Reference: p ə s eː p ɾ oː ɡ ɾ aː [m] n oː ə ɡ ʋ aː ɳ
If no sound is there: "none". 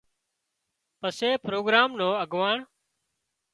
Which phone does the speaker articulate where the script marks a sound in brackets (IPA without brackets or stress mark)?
m